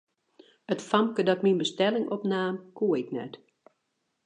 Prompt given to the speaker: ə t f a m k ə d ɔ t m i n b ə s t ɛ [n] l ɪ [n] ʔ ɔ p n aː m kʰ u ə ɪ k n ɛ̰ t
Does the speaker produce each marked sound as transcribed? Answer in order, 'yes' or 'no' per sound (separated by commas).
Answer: no, no